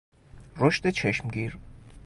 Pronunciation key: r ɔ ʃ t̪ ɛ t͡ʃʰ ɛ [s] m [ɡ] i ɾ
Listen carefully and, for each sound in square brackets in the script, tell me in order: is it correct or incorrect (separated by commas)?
incorrect, correct